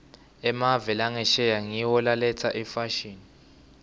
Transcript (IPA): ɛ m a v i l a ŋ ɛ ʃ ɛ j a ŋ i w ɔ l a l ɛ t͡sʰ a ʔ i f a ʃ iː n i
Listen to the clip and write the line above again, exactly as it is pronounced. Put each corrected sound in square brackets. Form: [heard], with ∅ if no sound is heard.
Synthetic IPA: ɛ m a v [ɛ] l a ŋ ɛ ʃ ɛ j a ŋ i w ɔ l a l ɛ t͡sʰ a ʔ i f a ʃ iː n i